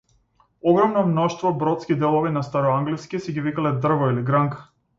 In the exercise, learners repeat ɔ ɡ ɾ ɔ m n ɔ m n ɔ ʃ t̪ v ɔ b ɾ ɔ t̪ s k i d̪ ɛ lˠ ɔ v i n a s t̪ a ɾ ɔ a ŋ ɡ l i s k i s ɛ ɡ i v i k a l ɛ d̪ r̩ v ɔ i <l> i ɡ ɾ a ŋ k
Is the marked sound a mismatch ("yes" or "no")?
no